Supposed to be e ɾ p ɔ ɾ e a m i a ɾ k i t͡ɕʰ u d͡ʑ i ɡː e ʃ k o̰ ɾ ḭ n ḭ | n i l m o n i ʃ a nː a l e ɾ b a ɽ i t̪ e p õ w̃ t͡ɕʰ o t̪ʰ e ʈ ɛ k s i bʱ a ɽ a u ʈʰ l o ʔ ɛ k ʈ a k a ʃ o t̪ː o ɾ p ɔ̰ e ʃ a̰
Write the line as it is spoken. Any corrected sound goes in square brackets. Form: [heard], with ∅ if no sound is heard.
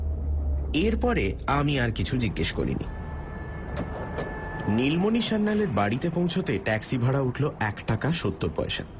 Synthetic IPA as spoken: e ɾ p ɔ ɾ e a m i a ɾ k i t͡ɕʰ u d͡ʑ i ɡː e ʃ k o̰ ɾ ḭ n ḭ | n i l m o n i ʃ a nː a l e ɾ b a ɽ i t̪ e p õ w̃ t͡ɕʰ o [t̪] e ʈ ɛ k s i bʱ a ɽ a u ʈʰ l o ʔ ɛ k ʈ a k a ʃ o t̪ː o ɾ p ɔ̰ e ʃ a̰

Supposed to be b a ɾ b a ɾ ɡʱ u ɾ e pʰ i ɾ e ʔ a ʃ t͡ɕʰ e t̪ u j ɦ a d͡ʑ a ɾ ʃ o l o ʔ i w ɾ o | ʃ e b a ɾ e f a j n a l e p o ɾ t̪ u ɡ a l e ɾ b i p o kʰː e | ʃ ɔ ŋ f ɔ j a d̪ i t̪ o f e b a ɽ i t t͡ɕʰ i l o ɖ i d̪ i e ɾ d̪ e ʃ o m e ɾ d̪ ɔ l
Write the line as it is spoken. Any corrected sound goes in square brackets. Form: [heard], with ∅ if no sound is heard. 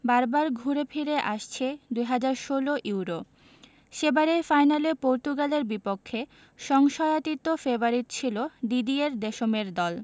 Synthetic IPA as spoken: b a ɾ b a ɾ ɡʱ u ɾ e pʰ i ɾ e ʔ a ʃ t͡ɕʰ e [d̪] u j ɦ a d͡ʑ a ɾ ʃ o l o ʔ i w ɾ o | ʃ e b a ɾ e f a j n a l e p o ɾ t̪ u ɡ a l e ɾ b i p o kʰː e | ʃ ɔ ŋ [ʃ] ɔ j a [t̪] i t̪ o f e b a [ɾ] i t t͡ɕʰ i l o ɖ i d̪ i e ɾ d̪ e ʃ o m e ɾ d̪ ɔ l

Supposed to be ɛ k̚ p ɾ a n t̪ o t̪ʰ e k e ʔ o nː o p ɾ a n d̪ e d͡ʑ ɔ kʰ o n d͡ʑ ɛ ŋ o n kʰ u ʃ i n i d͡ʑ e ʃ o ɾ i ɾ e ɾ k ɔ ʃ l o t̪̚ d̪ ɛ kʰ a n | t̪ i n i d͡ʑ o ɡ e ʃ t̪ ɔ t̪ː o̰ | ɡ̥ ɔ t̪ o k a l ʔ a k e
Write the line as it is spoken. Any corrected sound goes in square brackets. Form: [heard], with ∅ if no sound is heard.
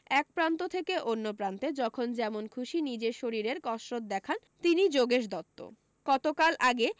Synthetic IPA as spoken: ɛ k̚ p ɾ a n t̪ o t̪ʰ e k e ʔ o nː o p ɾ a n [t̪] e d͡ʑ ɔ kʰ o n d͡ʑ ɛ [m] o n kʰ u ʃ i n i d͡ʑ e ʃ o ɾ i ɾ e ɾ k ɔ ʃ [ɾ] o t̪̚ d̪ ɛ kʰ a n | t̪ i n i d͡ʑ o ɡ e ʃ [d̪] ɔ t̪ː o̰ | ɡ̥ ɔ t̪ o k a l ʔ a [ɡ] e

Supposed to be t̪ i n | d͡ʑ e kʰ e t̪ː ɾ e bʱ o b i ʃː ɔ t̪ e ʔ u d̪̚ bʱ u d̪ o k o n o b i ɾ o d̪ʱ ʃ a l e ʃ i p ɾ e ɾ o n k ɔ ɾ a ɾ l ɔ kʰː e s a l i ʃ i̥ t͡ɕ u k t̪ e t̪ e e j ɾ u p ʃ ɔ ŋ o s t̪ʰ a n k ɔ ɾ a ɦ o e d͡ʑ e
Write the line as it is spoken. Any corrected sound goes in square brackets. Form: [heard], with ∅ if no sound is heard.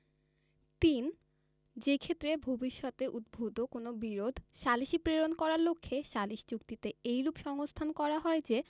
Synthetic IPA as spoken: t̪ i n | d͡ʑ e kʰ e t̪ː ɾ e bʱ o b i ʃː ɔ t̪ e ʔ u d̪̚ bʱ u d̪ o k o n o b i ɾ o d̪ʱ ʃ a l [i] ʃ i p ɾ e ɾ o n k ɔ ɾ a ɾ l [o] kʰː e [ʃ] a l i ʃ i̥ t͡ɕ u k t̪ [i] t̪ e e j ɾ u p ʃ ɔ ŋ o s t̪ʰ a n k ɔ ɾ a ɦ [ɔ] e d͡ʑ e

